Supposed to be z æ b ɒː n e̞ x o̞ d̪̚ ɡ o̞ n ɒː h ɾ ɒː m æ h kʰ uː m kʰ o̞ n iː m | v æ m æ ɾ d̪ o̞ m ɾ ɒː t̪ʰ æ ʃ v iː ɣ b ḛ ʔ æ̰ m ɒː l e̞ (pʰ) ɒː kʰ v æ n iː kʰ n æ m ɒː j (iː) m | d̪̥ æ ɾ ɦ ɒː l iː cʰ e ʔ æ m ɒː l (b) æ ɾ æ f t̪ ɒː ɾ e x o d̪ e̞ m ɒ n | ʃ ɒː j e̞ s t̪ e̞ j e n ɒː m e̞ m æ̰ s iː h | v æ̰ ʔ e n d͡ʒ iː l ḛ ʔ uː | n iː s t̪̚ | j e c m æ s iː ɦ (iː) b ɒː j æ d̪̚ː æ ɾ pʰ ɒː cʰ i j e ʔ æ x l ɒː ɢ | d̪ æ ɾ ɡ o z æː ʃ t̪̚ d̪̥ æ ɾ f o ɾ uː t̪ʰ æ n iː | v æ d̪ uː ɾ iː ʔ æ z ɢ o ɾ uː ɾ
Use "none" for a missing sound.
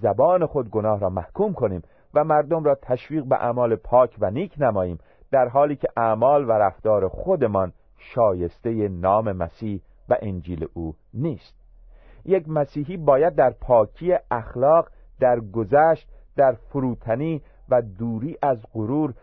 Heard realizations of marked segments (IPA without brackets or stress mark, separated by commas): pʰ, iː, v, iː